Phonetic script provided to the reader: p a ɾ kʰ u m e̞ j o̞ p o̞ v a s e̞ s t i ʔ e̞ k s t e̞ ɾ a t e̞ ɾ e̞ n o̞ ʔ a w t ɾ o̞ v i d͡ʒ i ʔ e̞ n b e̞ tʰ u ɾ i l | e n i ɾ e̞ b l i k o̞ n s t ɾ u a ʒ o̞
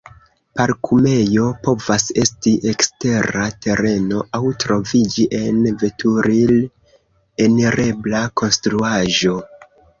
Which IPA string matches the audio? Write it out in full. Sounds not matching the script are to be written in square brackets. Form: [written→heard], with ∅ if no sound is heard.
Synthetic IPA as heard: p a ɾ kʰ u m e̞ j o̞ p o̞ v a s e̞ s t i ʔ e̞ k s t e̞ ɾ a t e̞ ɾ e̞ n o̞ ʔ a w t ɾ o̞ v i d͡ʒ i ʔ e̞ n [b→v] e̞ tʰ u ɾ i l | e n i ɾ e̞ b l [i→a] k o̞ n s t ɾ u a ʒ o̞